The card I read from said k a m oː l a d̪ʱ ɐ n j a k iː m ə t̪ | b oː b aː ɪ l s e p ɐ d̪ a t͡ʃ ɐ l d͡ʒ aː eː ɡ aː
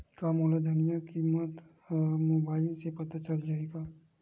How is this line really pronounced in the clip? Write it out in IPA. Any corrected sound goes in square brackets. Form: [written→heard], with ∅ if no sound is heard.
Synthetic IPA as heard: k a m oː l a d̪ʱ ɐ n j a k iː m ə t̪ | [b→m] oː b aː ɪ l s e p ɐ [d̪→t̪] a t͡ʃ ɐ l d͡ʒ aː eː ɡ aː